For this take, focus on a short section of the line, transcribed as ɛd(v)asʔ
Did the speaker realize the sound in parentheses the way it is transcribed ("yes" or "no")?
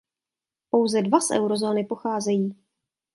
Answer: yes